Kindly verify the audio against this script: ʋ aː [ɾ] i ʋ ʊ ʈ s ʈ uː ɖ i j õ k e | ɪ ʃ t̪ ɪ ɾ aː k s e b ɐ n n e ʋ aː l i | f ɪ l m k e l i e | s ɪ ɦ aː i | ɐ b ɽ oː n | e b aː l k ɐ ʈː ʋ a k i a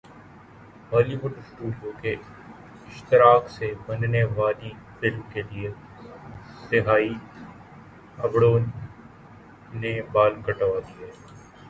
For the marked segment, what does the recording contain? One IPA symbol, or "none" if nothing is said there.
l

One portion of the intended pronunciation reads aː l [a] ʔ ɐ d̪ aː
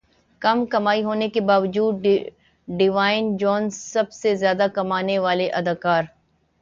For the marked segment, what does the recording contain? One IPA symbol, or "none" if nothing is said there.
e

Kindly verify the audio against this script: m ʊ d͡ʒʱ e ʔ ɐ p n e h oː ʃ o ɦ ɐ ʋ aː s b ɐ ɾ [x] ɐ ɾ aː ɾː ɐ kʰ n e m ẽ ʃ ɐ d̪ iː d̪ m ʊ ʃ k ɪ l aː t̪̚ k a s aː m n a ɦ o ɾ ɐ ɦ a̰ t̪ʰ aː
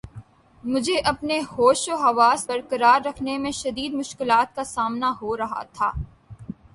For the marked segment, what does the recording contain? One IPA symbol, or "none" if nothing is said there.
k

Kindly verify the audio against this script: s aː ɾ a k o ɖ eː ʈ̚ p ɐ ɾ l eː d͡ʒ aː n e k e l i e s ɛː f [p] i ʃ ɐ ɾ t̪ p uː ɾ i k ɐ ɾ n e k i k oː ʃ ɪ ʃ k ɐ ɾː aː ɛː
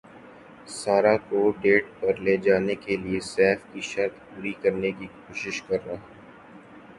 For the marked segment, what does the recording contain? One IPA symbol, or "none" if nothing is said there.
k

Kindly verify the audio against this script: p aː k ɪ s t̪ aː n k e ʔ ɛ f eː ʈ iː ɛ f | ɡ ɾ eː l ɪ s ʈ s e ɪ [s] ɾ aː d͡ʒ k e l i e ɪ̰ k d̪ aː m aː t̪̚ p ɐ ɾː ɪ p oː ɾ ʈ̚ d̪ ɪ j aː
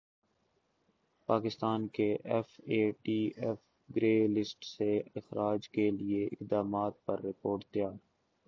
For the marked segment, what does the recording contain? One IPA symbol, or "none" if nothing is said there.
x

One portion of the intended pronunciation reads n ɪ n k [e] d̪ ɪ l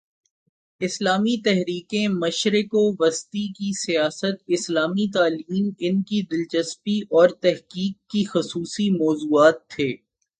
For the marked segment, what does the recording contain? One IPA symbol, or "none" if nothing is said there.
i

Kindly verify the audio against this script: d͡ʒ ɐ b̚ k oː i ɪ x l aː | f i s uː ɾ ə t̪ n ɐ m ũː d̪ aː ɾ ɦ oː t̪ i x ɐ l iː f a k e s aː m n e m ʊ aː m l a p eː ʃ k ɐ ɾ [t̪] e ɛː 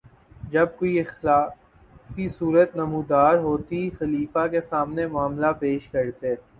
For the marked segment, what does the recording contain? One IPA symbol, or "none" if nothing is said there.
t̪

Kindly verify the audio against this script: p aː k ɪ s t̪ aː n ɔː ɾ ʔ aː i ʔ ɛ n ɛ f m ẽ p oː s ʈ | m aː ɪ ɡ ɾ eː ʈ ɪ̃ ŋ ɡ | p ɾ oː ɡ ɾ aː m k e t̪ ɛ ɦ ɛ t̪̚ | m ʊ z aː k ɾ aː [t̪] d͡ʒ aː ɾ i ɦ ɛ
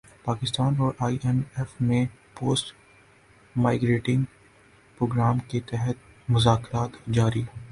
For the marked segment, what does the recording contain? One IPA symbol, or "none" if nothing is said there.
t̪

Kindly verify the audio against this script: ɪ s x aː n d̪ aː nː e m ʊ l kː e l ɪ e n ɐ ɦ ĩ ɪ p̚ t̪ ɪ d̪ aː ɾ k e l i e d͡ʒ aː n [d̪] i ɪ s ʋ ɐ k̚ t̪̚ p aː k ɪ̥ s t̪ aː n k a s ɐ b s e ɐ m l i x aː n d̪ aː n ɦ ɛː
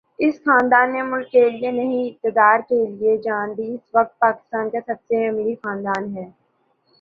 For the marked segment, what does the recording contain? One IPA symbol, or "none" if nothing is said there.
d̪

